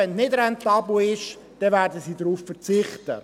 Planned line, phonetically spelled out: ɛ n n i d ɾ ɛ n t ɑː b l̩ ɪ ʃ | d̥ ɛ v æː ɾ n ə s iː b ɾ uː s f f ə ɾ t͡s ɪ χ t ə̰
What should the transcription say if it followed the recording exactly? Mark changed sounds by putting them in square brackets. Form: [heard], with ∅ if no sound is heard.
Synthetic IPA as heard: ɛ n n [ɪ] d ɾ ɛ n t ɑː b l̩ ɪ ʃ | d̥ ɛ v æː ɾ [d] ə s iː [d] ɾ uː [∅] f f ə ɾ t͡s ɪ χ t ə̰